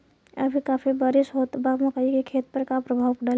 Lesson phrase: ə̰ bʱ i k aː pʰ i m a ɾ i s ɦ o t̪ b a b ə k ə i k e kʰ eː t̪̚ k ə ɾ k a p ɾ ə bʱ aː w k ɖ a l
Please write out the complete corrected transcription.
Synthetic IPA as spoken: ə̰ bʱ i k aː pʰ i b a ɾ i s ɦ o t̪ b a m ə k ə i k e kʰ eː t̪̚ p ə ɾ k a p ɾ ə bʱ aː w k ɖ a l